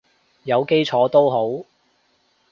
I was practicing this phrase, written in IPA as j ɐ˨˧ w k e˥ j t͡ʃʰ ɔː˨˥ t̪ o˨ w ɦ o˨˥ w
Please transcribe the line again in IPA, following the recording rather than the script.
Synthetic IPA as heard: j ɐ˨˧ w k e˥ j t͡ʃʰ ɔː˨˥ t̪ o˥ w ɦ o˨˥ w